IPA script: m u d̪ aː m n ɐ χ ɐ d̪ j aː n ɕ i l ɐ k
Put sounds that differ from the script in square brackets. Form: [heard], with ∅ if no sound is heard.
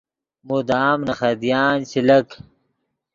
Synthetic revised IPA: m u d̪ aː m n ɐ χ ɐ d̪ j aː n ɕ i l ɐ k